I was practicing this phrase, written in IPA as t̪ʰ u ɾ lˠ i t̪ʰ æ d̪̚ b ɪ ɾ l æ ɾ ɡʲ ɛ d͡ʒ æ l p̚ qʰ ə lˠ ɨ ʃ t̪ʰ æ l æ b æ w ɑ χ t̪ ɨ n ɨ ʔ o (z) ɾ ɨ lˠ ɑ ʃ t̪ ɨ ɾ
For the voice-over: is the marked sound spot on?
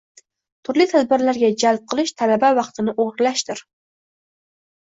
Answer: no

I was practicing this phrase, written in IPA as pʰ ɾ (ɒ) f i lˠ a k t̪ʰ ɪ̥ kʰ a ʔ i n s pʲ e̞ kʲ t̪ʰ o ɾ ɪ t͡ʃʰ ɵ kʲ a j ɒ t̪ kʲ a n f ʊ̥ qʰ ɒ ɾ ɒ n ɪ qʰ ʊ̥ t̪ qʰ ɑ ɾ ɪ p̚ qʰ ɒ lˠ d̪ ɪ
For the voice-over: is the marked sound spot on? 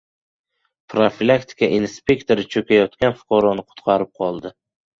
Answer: no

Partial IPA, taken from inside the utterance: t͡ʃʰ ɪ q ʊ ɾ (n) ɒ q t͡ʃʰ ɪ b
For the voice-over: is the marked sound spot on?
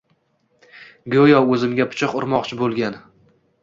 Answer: no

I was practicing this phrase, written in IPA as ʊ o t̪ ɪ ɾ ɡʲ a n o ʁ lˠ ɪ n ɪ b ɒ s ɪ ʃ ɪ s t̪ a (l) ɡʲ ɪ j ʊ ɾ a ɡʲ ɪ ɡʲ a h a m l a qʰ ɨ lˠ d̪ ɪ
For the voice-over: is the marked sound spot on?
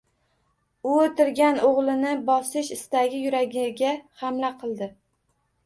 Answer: no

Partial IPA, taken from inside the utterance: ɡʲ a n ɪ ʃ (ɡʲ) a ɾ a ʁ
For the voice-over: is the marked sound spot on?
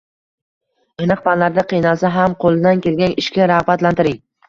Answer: no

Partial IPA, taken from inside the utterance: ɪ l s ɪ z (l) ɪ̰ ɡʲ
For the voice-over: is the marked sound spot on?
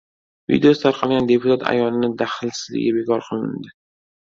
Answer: yes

